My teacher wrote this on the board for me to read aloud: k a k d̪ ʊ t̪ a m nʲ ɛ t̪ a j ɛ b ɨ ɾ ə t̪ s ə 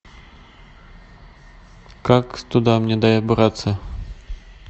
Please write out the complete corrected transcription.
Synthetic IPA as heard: k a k t̪ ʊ d̪ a m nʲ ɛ d̪ a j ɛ b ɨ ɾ a t̪ s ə